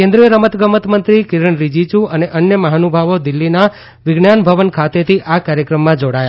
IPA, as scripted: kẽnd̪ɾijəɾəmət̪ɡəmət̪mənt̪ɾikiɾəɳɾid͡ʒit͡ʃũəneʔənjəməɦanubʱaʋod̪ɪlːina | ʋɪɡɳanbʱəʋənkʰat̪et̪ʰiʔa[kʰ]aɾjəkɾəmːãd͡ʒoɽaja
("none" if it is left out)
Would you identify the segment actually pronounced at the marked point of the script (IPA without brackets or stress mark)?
k